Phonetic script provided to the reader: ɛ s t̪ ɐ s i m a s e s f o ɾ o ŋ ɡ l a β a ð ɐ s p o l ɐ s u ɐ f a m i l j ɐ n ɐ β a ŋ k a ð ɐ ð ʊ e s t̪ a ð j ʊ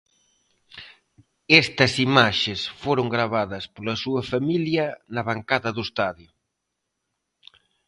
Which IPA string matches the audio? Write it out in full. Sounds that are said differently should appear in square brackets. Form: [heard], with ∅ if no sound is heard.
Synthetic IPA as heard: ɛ s t̪ ɐ s i m a [ʃ] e s f o ɾ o ŋ ɡ [ɾ] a β a ð ɐ s p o l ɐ s u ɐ f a m i l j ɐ n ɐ β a ŋ k a ð ɐ ð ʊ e s t̪ a ð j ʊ